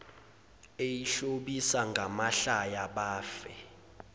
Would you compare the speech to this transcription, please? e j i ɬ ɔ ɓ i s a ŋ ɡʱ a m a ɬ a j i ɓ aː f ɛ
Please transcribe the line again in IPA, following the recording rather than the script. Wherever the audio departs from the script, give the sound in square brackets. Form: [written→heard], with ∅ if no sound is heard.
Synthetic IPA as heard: e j i ɬ [ɔ→o] ɓ i s a ŋ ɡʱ a m a ɬ a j [i→a] ɓ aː f ɛ

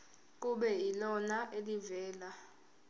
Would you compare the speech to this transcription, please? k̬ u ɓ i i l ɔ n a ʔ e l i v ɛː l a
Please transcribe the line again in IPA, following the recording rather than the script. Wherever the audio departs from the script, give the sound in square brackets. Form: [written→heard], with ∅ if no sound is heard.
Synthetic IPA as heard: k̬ u ɓ [i→ɛ] i l ɔ n a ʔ e l i v ɛː l a

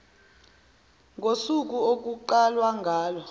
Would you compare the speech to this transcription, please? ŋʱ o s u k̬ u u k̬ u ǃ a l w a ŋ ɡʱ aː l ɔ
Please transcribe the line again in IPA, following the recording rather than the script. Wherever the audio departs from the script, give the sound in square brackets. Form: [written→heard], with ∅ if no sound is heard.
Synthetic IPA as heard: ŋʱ o s u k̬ u [u→o] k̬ u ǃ a l w a ŋ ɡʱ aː l ɔ

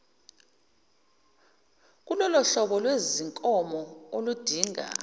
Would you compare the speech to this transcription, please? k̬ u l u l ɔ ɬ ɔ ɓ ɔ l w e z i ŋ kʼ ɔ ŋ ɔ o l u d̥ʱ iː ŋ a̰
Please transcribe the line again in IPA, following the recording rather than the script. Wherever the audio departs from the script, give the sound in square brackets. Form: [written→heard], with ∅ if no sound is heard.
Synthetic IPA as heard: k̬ u l [u→ɔ] l ɔ ɬ ɔ ɓ ɔ l w e z i ŋ kʼ ɔ [ŋ→m] ɔ o l u d̥ʱ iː ŋ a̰

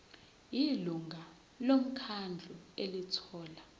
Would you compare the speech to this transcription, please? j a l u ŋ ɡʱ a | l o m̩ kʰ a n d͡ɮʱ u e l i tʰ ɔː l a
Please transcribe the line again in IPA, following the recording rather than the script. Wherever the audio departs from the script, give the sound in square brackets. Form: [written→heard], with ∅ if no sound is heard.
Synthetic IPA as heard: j [a→i] l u ŋ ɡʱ a | l o m̩ kʰ a n d͡ɮʱ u e l i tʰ ɔː l a

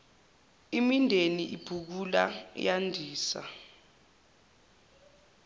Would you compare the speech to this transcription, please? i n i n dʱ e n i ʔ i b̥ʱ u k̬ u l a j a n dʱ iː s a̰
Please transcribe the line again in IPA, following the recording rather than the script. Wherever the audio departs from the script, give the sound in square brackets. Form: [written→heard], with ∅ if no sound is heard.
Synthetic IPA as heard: i [n→m] i n dʱ e n i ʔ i b̥ʱ u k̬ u l a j a n dʱ iː s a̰

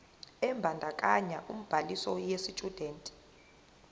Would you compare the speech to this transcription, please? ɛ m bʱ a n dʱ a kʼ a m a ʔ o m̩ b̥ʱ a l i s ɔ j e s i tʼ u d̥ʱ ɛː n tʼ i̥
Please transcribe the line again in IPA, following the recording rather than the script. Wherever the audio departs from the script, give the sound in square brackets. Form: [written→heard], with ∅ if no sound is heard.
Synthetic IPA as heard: ɛ m bʱ a n dʱ a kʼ a [m→ɲ] a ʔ [o→u] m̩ b̥ʱ a l i s ɔ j e s i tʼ u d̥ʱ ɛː n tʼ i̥

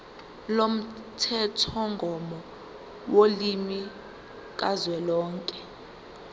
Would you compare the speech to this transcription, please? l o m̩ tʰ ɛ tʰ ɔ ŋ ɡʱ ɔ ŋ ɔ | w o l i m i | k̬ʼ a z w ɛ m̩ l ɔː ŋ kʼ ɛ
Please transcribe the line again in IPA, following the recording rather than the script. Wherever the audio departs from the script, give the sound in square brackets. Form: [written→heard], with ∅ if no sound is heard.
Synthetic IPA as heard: l o m̩ tʰ ɛ tʰ ɔ ŋ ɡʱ ɔ [ŋ→m] ɔ | w o l i m i | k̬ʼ a z w ɛ [m̩→∅] l ɔː ŋ kʼ ɛ

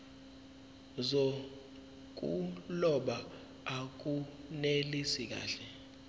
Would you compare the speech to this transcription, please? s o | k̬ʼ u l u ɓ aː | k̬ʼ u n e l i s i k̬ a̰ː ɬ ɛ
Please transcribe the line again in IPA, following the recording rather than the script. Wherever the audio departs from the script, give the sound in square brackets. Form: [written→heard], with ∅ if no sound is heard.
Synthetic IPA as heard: [s→z] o | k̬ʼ u l [u→ɔ] ɓ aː | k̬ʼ u n e l i s i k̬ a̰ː ɬ ɛ

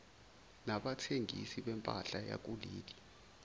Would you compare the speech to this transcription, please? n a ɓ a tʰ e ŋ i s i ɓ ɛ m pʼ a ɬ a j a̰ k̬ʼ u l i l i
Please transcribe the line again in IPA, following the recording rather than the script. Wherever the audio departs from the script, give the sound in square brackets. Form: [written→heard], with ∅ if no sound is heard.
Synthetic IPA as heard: n a ɓ a tʰ e ŋ i s i ɓ ɛ m pʼ a ɬ a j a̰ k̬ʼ u l [i→iː] l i

